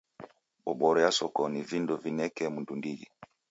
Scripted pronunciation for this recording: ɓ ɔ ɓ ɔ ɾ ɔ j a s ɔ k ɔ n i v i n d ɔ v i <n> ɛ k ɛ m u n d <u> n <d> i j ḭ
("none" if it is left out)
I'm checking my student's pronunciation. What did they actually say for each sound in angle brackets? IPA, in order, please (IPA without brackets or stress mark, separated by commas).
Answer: n, u, d